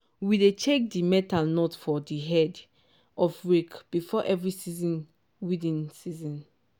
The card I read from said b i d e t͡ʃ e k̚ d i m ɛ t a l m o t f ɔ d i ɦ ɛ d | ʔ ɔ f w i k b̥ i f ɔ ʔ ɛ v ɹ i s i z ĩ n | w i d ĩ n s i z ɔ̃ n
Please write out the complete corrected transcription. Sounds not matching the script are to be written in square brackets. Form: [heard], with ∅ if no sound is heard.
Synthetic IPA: [w] i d e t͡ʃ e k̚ d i m ɛ t a l [n] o t f ɔ d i ɦ ɛ d | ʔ ɔ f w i k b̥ i f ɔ ʔ ɛ v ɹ i s i z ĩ n | w i d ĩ n s i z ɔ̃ n